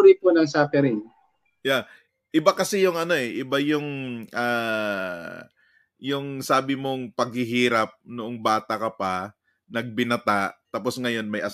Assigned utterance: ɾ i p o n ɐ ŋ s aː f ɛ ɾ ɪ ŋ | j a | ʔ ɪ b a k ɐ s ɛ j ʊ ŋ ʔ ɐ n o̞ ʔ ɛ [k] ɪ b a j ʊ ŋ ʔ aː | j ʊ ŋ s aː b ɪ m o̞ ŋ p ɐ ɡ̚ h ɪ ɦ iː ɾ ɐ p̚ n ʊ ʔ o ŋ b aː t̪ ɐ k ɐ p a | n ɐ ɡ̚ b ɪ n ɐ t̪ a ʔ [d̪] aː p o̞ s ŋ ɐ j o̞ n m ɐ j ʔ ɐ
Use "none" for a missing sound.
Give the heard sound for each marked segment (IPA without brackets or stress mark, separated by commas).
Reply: ʔ, t̪